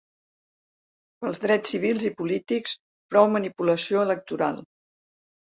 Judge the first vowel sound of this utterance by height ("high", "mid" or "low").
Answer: mid